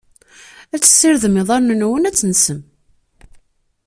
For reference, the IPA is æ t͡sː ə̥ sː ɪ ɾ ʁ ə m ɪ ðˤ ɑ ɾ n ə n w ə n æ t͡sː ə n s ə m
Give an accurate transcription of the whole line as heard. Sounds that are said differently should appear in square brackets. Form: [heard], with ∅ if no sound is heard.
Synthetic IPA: æ t͡sː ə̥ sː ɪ ɾ [ð] ə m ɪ ðˤ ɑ ɾ n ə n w ə n æ t͡sː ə n s ə m

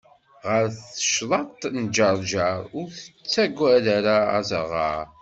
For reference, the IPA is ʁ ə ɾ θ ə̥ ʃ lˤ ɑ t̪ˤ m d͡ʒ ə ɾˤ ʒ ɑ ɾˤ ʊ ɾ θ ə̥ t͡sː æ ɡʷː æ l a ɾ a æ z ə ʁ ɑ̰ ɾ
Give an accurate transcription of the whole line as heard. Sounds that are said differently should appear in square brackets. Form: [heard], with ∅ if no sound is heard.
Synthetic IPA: ʁ ə ɾ θ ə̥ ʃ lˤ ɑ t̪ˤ [n] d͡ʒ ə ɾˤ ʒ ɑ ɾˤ ʊ ɾ θ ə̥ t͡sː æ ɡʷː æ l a ɾ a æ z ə ʁ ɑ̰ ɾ

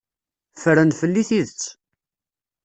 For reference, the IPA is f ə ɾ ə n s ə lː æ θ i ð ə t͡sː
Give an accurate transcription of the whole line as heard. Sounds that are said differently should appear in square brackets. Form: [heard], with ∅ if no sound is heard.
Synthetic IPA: f ə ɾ ə n [f] ə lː [i] θ i ð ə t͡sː

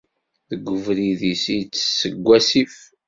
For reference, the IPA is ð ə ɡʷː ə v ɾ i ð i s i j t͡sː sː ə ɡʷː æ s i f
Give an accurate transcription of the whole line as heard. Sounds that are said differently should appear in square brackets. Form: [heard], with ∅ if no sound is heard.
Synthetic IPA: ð ə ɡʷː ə v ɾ i ð i s i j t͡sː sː ə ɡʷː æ s i f

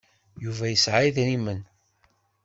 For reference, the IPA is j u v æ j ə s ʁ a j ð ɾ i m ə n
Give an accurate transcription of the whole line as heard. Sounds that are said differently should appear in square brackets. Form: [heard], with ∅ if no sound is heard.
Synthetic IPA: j u v æ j ə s [ʕ] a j ð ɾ i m ə n

